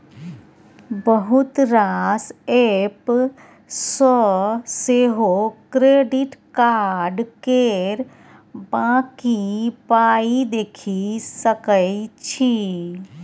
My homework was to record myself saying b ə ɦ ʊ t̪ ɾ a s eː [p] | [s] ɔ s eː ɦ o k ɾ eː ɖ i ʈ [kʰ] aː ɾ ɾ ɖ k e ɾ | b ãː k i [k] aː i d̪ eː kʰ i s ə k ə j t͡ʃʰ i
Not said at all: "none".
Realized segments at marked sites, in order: p, s, k, p

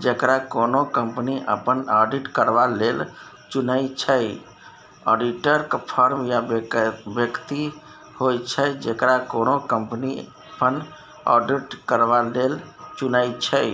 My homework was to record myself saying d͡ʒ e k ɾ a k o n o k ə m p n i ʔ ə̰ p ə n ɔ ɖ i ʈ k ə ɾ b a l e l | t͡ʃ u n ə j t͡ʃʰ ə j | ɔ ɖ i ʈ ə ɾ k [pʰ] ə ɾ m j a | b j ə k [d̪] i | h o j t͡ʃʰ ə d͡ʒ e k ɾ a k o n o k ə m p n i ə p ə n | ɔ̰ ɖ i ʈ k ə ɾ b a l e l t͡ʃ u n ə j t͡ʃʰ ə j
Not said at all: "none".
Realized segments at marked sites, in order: pʰ, t̪

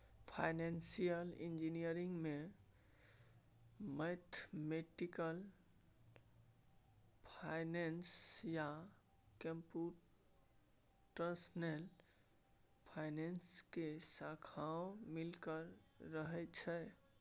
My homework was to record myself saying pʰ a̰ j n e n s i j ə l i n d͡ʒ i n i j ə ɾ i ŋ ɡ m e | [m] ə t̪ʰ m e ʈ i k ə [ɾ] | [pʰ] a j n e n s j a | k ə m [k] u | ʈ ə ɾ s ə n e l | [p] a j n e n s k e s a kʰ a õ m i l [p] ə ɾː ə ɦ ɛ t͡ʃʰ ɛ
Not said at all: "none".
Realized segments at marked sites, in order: m, l, pʰ, p, pʰ, k

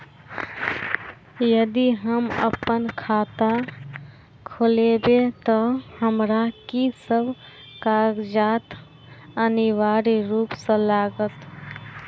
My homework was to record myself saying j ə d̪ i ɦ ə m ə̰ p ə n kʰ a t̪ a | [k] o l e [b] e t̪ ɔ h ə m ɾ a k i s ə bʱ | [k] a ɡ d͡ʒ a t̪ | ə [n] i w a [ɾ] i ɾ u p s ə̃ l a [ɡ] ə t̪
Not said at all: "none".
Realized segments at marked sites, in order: kʰ, b, k, n, ɾ, ɡ

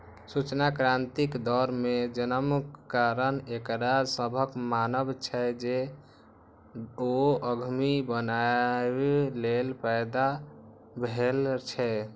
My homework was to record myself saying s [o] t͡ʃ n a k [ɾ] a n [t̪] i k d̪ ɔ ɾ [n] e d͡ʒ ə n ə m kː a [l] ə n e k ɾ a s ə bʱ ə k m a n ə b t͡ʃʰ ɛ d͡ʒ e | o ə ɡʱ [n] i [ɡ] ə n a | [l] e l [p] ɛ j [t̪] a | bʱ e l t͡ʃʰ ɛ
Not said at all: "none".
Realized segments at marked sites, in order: u, ɾ, t̪, m, ɾ, m, b, l, p, d̪

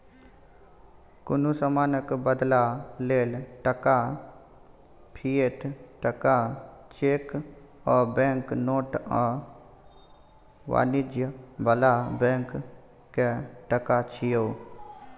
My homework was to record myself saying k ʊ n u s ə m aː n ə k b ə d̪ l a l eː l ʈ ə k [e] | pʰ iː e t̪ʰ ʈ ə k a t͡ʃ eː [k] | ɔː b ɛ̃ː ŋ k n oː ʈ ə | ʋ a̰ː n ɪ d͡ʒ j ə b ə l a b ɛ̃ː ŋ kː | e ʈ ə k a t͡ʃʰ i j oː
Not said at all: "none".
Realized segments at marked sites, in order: a, k

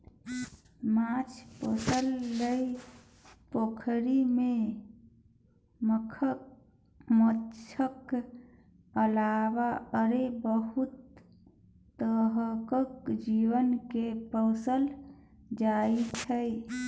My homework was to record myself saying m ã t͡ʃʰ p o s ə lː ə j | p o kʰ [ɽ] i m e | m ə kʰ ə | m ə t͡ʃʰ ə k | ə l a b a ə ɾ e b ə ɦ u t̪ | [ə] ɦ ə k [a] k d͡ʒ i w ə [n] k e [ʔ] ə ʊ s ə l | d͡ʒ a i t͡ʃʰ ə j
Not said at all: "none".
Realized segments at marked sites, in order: ɾ, ə, ə, n, p

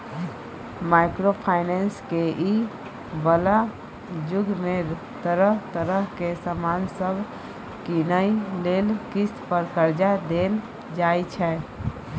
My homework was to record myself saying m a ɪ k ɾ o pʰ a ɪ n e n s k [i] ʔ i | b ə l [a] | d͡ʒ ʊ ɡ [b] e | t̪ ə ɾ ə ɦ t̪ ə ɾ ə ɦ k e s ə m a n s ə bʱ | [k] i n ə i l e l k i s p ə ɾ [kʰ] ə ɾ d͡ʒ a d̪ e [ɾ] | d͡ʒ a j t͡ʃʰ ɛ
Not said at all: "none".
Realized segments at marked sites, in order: e, a, m, k, k, l

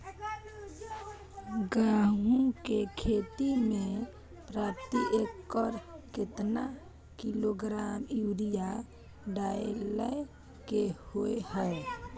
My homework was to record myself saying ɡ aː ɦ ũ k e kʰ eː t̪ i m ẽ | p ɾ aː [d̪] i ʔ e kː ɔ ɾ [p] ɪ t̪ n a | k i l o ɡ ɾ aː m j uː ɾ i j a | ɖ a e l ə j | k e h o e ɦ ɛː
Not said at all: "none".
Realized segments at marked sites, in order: t̪, k

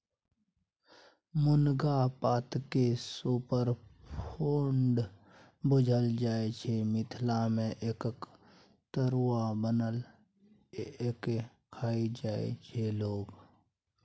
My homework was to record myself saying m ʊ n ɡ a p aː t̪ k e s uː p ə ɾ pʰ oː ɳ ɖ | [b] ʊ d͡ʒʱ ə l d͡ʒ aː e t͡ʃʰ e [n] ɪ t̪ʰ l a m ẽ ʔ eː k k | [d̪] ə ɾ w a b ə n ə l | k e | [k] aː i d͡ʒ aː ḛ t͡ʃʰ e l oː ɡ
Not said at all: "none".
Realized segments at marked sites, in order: b, m, t̪, kʰ

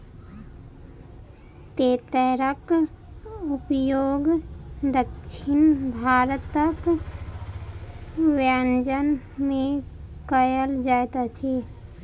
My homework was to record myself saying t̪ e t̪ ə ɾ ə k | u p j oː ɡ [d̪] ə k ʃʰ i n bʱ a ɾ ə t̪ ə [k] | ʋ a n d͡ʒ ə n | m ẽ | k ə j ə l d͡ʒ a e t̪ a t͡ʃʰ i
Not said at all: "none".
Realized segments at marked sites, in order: d̪, k

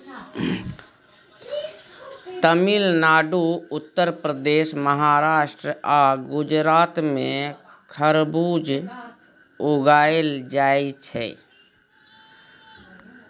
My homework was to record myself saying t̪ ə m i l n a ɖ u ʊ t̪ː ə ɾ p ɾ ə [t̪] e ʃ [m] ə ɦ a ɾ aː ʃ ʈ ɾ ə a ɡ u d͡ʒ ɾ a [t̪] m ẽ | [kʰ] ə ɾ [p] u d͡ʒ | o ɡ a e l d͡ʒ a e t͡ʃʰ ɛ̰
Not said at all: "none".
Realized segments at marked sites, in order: d̪, m, t̪, kʰ, b

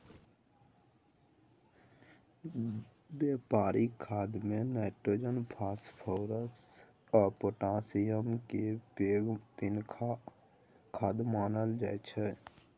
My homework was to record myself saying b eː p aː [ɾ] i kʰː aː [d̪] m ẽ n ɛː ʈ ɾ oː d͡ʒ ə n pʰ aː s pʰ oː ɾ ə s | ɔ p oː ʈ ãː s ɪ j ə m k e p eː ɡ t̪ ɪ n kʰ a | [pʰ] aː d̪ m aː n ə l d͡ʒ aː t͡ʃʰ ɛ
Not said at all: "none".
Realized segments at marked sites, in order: ɾ, d̪, kʰ

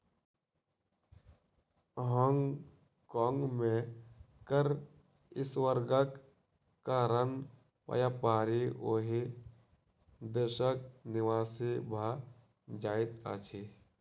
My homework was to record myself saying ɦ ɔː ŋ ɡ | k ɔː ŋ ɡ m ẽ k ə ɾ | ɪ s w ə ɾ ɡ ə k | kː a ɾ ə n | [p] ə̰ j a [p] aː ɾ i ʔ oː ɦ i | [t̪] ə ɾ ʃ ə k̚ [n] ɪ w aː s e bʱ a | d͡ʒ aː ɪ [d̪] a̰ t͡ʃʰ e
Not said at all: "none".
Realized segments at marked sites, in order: p, p, d̪, n, t̪

